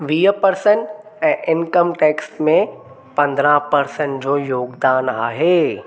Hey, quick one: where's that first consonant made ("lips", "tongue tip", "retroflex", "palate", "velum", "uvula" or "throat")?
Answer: lips